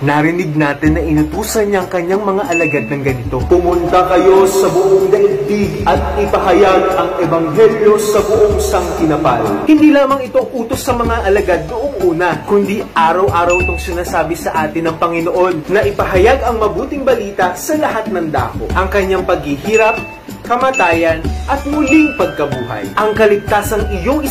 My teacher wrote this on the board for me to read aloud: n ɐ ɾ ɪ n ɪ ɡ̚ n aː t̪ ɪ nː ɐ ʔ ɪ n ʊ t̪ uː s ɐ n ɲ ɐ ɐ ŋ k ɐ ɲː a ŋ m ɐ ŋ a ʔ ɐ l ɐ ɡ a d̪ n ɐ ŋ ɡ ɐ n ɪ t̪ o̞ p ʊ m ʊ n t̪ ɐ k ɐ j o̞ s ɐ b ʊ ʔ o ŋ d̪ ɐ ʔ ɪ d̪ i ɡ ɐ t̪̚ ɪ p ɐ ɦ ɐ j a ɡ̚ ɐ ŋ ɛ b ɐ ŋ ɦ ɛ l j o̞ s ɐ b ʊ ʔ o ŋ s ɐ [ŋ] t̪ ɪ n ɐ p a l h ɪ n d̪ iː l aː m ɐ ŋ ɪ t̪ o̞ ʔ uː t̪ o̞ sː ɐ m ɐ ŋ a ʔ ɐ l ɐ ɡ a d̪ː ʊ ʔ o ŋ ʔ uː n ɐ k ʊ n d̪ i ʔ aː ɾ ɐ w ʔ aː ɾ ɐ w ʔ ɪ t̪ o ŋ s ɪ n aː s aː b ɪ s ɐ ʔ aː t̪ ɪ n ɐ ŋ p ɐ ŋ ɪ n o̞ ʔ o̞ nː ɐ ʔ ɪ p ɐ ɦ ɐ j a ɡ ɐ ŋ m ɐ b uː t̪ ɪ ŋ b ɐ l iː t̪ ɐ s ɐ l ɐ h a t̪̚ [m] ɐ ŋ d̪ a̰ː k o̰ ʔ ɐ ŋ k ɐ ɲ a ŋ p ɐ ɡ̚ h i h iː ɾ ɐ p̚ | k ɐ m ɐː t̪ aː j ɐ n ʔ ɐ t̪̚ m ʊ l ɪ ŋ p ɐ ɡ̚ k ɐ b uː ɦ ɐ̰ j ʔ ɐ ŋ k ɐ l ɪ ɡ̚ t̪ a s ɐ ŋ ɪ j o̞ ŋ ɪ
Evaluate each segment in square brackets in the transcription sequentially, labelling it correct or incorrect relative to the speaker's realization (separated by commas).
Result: correct, incorrect